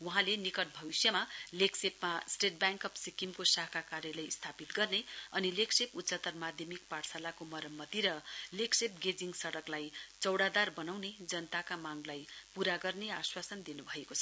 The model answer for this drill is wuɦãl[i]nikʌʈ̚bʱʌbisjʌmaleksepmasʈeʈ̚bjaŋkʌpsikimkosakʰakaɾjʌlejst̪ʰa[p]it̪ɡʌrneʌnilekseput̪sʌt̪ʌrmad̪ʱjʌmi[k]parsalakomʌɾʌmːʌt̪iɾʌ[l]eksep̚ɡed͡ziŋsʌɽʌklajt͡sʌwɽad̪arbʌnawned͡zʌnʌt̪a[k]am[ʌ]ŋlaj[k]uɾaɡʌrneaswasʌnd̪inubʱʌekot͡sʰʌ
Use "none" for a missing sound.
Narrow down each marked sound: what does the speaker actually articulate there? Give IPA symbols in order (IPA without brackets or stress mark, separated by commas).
e, p, k, l, k, a, p